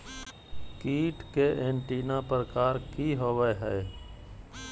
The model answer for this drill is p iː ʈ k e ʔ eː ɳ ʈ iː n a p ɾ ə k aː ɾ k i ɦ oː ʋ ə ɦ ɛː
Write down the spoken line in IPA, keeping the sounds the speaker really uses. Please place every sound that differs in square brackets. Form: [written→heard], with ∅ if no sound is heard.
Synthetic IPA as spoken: [p→k] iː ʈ k e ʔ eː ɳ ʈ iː n a p ɾ ə k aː ɾ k i ɦ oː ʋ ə ɦ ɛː